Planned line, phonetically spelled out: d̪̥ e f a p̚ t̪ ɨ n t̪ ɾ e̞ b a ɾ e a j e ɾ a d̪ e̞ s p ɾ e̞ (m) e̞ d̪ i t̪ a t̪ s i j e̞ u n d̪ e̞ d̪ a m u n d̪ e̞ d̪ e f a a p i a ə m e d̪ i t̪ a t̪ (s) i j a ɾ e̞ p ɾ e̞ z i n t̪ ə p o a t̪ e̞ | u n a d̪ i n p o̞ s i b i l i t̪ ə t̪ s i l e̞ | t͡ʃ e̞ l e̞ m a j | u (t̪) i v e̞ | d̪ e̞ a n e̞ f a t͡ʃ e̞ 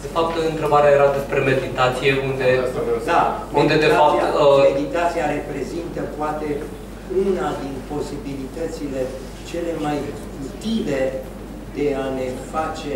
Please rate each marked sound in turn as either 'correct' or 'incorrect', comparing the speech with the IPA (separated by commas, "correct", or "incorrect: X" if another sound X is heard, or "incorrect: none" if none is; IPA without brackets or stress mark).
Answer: correct, correct, correct